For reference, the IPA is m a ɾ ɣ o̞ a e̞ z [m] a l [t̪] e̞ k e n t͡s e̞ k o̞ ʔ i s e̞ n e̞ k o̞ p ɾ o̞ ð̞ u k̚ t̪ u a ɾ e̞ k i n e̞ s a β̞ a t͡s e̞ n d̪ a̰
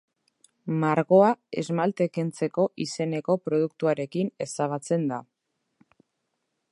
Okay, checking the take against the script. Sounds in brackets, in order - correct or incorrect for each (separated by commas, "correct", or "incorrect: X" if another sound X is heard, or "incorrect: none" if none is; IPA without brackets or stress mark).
correct, correct